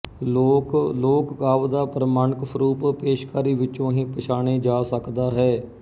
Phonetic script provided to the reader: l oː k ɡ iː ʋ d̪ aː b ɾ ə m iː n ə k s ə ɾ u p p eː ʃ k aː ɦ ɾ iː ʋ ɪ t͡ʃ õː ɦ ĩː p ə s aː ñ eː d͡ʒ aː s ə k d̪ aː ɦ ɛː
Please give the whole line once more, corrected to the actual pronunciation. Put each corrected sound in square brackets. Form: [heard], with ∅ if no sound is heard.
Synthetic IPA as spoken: l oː k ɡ [aː] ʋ d̪ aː [p] ɾ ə m [aː] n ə k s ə ɾ [uː] p p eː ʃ k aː [∅] ɾ iː ʋ ɪ t͡ʃ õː ɦ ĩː p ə [ʃ] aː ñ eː d͡ʒ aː s ə k d̪ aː ɦ ɛː